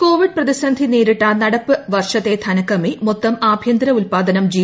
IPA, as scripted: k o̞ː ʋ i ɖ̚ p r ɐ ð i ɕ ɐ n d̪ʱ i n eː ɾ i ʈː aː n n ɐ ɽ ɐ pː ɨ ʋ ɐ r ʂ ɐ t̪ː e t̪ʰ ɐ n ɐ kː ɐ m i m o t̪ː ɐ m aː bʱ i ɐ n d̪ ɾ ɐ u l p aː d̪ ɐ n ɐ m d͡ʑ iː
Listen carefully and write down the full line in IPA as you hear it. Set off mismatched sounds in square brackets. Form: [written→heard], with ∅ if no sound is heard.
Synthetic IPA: k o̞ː ʋ i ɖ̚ p r ɐ ð i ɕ ɐ n d̪ʱ i n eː ɾ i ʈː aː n n ɐ ɽ ɐ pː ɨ ʋ ɐ r ʂ ɐ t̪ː e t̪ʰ ɐ n ɐ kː ɐ m i m o t̪ː ɐ m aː bʱ [i→j] ɐ n d̪ ɾ ɐ u l p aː d̪ ɐ n ɐ m d͡ʑ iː